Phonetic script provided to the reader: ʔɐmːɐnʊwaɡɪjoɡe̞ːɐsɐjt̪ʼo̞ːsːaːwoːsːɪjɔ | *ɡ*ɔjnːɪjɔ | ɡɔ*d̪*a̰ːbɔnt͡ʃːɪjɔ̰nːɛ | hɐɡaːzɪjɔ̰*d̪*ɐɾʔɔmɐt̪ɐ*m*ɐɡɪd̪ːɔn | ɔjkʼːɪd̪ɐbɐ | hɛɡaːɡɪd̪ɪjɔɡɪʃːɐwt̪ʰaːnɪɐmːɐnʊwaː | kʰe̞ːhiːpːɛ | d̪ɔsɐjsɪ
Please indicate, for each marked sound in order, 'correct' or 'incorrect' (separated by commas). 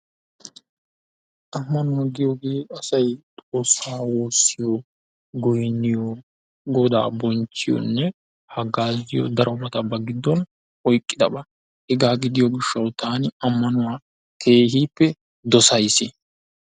correct, correct, correct, incorrect